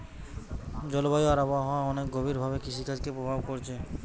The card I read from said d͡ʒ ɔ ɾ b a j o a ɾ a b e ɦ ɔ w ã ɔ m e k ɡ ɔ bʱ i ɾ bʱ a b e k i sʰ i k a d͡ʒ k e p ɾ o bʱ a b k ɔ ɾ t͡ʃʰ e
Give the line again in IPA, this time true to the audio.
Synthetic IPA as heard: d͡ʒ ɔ l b a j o a ɾ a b a ɦ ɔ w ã ɔ n e k ɡ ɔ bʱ i ɾ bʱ a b e k i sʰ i k a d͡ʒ k e p ɾ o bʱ a b k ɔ ɾ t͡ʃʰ e